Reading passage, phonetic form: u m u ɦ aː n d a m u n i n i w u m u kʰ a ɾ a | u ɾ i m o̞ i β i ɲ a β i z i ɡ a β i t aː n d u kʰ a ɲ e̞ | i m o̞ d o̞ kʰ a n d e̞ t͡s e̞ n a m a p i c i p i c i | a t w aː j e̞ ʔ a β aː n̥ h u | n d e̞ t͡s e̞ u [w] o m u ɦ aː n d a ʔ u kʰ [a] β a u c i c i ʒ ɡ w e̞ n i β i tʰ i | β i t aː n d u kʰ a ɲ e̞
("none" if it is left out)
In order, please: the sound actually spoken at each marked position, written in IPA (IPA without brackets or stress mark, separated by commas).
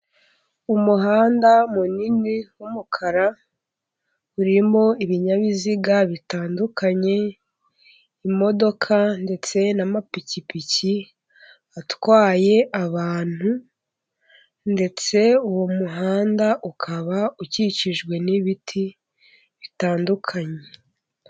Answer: w, a